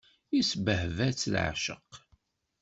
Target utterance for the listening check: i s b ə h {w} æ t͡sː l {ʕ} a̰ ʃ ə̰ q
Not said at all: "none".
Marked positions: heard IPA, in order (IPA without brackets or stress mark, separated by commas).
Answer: v, ʕ